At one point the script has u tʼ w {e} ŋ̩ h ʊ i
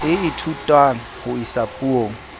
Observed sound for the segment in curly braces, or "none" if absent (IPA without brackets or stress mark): a